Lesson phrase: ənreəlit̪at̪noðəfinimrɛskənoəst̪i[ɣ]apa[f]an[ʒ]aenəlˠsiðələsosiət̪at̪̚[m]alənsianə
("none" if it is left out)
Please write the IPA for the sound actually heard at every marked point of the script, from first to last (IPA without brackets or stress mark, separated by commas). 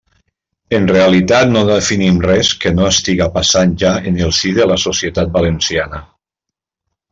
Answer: ɣ, s, ʒ, b